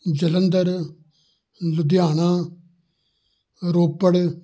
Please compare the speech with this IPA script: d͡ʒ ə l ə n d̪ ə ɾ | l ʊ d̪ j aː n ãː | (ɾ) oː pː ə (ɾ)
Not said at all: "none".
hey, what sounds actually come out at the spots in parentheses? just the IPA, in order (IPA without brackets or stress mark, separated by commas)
ɾ, ɽ